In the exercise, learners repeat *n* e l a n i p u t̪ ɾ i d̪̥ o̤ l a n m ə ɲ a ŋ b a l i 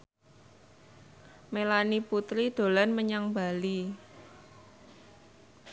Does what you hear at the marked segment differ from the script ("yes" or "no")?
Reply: yes